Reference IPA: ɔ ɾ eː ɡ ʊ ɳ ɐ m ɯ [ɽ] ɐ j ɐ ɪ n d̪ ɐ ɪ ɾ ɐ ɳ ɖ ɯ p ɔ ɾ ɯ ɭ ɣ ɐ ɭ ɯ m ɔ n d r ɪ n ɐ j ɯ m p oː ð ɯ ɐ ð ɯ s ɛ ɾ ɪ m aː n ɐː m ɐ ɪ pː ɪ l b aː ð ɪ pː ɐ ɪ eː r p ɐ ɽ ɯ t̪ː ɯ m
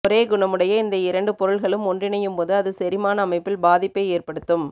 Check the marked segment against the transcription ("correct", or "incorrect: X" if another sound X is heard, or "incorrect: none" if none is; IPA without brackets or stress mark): correct